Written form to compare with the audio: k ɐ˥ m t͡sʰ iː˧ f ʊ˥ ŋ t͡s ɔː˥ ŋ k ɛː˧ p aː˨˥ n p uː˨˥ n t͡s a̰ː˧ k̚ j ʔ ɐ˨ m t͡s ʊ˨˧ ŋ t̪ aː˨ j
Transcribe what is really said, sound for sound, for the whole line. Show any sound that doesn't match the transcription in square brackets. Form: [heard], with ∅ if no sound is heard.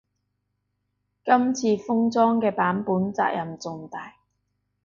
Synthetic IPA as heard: k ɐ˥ m t͡sʰ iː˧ f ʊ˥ ŋ t͡s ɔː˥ ŋ k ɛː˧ p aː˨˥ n p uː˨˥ n t͡s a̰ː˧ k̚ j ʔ ɐ˨ m t͡s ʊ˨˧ ŋ t̪ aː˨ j